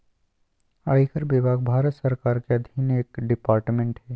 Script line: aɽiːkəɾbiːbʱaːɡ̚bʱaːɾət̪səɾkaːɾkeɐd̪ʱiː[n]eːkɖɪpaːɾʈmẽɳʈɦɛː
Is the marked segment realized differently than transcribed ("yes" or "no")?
no